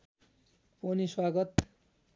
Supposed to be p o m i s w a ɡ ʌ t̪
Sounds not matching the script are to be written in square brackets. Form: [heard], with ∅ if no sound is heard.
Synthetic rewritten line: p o [n] i s w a ɡ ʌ t̪